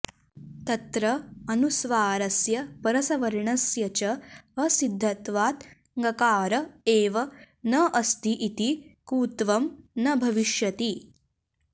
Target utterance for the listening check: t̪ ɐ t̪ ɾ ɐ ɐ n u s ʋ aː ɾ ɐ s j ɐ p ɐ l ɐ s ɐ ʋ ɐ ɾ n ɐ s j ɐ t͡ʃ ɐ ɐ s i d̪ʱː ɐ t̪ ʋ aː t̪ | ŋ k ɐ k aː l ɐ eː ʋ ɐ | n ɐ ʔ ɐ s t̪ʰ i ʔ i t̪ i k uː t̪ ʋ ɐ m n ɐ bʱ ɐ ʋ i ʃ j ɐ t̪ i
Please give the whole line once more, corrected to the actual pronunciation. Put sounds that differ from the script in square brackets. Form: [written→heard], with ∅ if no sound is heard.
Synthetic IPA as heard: t̪ ɐ t̪ ɾ ɐ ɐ n u s ʋ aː ɾ ɐ s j ɐ p ɐ [l→ɾ] ɐ s ɐ ʋ ɐ ɾ [n→ɳ] ɐ s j ɐ t͡ʃ ɐ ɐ s i d̪ʱː ɐ t̪ ʋ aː t̪ | ŋ [k→ɡ] ɐ k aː [l→ɾ] ɐ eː ʋ ɐ | n ɐ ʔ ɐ s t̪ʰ i ʔ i t̪ i k uː t̪ ʋ ɐ m n ɐ bʱ ɐ ʋ i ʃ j ɐ t̪ i